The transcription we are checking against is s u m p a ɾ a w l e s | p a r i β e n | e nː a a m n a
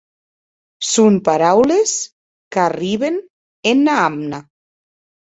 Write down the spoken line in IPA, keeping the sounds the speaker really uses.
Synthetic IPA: s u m p a ɾ a w l e s | k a r i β e n | e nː a a m n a